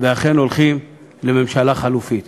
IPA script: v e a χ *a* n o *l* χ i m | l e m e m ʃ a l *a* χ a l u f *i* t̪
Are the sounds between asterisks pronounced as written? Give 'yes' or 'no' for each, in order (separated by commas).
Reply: no, yes, yes, yes